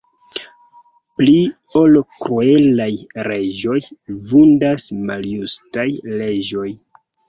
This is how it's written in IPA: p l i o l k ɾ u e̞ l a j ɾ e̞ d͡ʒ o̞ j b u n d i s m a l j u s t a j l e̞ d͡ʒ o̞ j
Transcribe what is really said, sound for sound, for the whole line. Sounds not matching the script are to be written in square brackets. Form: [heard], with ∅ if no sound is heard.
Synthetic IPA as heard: p l i o l k ɾ u e̞ l a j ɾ e̞ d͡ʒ o̞ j [v] u n d [a] s m a l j u s t a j l e̞ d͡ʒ o̞ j